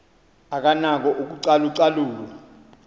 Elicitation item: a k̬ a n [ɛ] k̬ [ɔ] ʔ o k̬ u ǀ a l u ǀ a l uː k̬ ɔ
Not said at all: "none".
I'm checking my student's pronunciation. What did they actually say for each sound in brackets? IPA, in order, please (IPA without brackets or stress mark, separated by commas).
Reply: a, ɔ